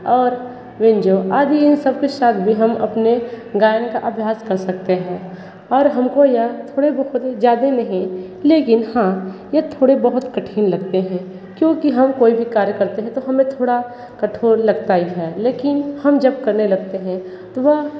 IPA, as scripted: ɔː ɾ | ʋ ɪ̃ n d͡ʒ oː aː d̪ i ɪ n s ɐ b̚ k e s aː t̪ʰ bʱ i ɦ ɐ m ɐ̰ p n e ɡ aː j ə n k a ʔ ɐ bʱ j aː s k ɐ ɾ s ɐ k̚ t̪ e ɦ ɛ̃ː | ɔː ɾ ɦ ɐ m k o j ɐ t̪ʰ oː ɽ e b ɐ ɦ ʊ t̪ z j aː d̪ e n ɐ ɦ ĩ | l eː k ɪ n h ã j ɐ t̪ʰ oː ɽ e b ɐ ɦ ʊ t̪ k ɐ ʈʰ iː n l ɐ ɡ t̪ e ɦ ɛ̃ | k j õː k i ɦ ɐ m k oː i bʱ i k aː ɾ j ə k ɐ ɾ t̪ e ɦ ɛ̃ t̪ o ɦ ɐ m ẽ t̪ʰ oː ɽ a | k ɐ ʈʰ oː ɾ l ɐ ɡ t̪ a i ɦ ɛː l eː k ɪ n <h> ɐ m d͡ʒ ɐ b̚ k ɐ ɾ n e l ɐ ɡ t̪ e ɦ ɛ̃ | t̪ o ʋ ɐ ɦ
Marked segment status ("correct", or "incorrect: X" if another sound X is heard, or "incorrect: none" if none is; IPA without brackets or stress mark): correct